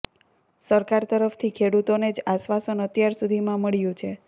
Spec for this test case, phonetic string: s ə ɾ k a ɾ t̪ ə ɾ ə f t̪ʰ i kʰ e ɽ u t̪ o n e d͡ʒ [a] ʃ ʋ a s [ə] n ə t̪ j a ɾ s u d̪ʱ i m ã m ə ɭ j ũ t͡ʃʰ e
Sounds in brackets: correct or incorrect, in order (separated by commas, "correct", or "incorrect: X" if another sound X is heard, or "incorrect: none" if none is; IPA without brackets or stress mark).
correct, correct